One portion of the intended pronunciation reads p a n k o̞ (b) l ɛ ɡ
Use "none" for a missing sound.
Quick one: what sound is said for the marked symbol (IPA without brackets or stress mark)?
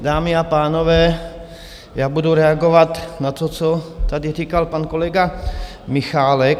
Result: none